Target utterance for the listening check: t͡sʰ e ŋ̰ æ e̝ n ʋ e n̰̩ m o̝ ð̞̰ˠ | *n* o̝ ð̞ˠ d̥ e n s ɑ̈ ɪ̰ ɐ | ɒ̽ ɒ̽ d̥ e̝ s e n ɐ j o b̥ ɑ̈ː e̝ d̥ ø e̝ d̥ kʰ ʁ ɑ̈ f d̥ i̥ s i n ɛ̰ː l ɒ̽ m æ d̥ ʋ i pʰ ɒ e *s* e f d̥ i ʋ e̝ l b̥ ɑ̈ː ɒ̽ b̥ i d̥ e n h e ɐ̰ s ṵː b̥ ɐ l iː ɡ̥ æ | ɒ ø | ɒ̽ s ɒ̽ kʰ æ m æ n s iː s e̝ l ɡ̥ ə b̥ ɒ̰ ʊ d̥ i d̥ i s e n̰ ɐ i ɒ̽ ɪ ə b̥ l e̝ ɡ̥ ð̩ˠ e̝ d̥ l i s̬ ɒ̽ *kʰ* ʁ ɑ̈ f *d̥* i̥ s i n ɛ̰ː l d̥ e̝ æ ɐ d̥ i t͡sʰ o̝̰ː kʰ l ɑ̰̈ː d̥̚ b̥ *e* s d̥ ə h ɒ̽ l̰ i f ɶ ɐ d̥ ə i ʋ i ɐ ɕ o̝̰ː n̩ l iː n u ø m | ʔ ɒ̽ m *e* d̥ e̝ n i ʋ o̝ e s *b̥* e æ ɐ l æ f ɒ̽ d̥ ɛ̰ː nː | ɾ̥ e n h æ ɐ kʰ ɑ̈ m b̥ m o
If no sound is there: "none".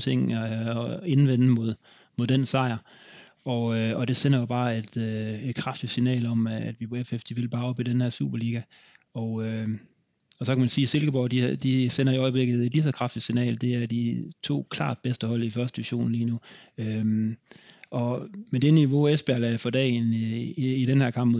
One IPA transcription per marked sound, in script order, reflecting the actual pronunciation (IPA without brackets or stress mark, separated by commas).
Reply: m, f, kʰ, d̥, e, e, b̥